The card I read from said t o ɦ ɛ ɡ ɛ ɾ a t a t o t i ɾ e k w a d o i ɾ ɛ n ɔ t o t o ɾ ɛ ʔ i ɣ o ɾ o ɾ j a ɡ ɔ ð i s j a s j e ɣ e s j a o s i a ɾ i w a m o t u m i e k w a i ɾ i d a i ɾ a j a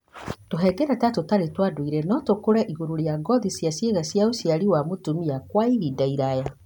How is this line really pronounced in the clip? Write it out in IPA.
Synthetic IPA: t o ɦ ɛ ɡ ɛ ɾ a t a t o t a ɾ e t w a d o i ɾ ɛ n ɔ t o k o ɾ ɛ ʔ i ɣ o ɾ o ɾ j a ɡ ɔ ð i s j a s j e ɣ a s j a o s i a ɾ i w a m o t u m i a k w a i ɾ i d a i ɾ a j a